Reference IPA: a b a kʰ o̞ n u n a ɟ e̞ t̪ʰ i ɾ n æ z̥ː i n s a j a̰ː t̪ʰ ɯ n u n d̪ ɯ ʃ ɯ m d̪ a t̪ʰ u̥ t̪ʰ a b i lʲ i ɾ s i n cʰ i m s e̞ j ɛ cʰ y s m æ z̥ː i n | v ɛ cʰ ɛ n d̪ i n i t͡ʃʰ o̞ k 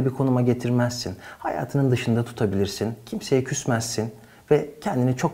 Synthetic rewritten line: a b i kʰ o̞ n u m a ɟ e̞ t̪ʰ i ɾ m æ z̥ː i n h a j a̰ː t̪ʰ ɯ n ɯ n d̪ ɯ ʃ ɯ n d̪ a t̪ʰ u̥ t̪ʰ a b i lʲ i ɾ s i n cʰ i m s e̞ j ɛ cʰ y s m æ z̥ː i n | v ɛ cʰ ɛ n d̪ i n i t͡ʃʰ o̞ k